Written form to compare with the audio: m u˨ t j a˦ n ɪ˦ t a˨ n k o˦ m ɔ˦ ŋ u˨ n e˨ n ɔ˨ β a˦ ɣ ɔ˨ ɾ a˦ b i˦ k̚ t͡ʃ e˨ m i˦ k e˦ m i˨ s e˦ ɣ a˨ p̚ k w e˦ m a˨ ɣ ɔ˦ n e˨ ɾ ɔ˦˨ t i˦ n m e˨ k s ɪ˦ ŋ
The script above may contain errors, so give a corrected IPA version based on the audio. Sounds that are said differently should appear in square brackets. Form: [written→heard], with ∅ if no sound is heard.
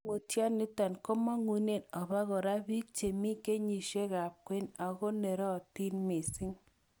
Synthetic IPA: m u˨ t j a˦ n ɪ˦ t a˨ n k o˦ m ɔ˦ ŋ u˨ n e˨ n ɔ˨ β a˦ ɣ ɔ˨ ɾ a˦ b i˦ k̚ t͡ʃ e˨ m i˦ k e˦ [m→ɲ] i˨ [s→ʃ] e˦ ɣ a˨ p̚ k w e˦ [m→n] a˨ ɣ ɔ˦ n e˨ ɾ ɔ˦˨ t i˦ n m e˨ [k→∅] s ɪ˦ ŋ